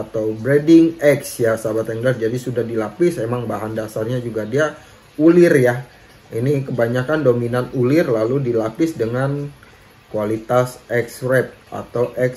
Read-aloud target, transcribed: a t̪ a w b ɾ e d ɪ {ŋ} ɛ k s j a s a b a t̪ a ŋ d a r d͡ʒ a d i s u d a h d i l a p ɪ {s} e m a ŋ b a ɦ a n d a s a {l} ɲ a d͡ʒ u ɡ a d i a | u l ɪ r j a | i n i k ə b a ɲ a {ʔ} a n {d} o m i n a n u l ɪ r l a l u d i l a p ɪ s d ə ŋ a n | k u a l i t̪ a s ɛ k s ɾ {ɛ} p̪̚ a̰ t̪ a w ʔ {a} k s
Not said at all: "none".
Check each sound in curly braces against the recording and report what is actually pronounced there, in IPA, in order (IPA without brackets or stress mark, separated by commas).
ŋ, s, r, k, d, ɛ, ɛ